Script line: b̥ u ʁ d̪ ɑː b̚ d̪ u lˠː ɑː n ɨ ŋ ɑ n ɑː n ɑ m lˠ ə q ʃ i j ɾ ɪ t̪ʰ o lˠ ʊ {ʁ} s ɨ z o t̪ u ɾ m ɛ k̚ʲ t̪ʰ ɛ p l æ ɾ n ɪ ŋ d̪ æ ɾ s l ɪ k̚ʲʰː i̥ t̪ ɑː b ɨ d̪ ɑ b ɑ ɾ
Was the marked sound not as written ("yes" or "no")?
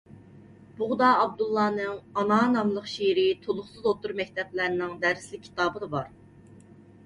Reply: yes